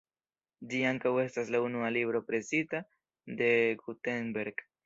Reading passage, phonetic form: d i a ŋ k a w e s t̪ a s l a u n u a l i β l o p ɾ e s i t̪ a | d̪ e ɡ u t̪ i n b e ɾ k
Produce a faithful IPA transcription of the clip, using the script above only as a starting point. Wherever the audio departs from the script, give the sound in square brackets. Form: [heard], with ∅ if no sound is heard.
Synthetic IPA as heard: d i a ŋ k a w e s t̪ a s l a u n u a l i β [ɾ] o p ɾ e s i t̪ a | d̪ e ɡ u t̪ [e] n b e ɾ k